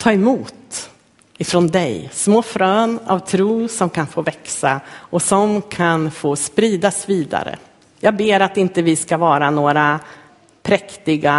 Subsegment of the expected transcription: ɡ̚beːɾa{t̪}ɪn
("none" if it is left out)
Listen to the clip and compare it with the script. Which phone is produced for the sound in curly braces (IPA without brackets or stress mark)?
t̪